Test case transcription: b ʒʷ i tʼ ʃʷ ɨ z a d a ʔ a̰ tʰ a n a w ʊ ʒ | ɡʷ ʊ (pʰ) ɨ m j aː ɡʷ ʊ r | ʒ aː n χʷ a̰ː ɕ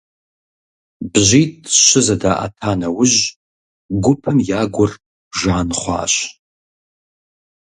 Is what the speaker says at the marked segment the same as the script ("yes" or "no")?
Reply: yes